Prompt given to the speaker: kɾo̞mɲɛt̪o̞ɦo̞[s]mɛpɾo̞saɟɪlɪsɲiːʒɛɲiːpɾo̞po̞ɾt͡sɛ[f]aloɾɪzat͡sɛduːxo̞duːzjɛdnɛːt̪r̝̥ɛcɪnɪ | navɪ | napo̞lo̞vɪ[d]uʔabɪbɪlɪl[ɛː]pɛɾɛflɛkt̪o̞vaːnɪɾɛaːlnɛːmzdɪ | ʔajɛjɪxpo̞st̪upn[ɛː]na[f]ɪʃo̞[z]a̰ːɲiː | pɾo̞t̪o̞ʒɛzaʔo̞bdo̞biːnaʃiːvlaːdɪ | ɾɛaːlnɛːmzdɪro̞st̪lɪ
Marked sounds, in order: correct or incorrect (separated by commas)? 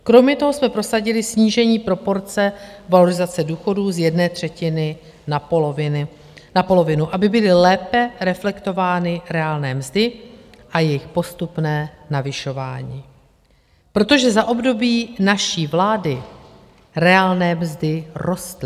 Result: correct, incorrect, incorrect, correct, correct, incorrect, incorrect